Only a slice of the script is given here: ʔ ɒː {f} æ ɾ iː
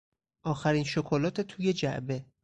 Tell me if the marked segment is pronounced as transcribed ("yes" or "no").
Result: no